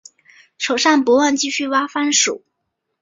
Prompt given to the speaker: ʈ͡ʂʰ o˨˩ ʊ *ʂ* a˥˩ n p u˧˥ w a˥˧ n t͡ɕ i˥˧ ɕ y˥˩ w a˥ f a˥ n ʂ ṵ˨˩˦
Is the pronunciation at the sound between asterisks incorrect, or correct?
correct